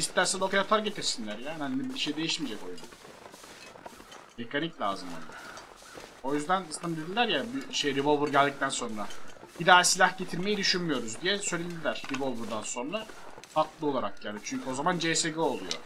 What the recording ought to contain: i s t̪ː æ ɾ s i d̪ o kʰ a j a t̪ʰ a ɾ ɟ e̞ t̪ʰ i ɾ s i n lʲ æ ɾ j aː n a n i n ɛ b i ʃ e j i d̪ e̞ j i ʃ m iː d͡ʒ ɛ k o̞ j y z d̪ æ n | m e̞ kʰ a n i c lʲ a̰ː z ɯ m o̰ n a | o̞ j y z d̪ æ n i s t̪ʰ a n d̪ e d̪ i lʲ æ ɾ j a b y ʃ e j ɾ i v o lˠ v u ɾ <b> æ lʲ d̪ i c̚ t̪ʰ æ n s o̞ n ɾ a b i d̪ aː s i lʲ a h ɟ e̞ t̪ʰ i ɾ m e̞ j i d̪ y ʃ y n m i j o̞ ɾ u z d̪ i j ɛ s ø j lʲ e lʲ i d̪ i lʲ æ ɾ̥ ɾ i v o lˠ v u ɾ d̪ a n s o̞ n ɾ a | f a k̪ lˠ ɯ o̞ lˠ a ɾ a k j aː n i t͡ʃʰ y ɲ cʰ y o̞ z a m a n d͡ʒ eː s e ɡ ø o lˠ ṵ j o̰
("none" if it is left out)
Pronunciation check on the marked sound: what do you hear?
ɟ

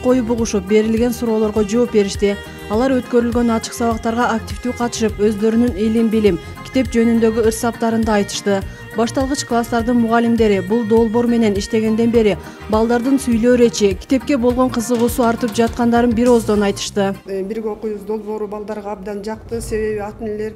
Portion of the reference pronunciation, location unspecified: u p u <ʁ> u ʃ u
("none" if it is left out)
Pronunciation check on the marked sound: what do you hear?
ʁ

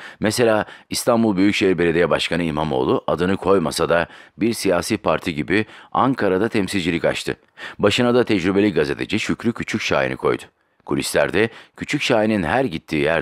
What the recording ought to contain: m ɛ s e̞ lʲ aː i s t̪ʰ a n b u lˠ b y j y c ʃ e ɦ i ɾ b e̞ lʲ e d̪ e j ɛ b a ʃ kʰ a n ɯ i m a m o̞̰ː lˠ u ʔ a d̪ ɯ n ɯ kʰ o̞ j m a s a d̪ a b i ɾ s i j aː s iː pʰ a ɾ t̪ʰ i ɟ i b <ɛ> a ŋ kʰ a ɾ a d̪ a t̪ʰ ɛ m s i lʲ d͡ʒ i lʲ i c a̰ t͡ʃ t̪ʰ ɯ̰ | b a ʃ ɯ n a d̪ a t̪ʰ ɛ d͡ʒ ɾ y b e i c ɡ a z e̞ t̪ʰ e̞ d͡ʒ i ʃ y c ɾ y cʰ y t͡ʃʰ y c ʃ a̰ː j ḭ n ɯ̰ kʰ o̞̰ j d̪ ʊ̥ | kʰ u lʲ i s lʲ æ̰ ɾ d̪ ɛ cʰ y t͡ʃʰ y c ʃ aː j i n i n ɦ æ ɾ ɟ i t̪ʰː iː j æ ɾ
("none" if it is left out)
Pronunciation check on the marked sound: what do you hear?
i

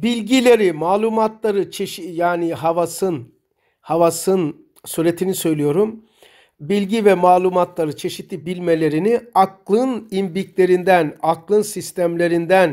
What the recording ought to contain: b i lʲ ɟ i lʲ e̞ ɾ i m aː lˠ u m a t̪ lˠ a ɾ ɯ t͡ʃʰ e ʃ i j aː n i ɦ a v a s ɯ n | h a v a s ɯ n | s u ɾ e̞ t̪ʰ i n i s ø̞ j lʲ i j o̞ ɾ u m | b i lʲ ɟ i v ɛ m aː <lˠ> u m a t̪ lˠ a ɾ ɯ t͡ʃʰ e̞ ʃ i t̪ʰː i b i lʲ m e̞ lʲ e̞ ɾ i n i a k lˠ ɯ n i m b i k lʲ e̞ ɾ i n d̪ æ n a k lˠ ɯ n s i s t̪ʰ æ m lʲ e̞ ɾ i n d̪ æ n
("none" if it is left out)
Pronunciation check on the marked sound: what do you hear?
lˠ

